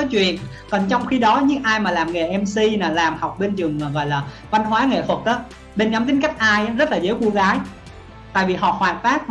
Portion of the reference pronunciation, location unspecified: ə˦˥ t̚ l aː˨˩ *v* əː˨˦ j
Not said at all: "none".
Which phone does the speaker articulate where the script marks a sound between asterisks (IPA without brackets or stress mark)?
z